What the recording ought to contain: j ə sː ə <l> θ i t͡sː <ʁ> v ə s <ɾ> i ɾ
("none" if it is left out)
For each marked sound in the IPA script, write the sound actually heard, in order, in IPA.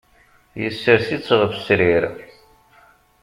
ɾ, ʁ, ɾ

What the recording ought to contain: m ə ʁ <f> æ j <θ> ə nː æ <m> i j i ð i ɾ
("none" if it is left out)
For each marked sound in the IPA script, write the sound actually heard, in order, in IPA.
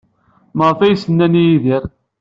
f, s, n

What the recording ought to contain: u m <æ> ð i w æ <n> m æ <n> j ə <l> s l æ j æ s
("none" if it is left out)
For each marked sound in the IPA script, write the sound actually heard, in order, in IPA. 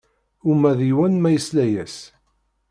æ, n, none, none

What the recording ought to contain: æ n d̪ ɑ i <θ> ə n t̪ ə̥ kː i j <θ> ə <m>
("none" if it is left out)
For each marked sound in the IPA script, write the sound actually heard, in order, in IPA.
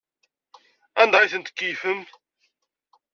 θ, f, m

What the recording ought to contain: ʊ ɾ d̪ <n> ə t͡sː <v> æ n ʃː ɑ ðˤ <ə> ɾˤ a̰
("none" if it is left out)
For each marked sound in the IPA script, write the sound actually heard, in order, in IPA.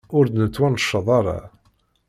n, w, ɑ

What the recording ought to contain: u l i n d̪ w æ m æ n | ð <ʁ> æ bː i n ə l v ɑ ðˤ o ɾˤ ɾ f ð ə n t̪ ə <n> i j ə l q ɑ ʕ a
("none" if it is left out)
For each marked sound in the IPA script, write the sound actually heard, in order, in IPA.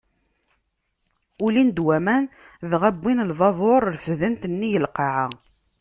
ʁ, nː

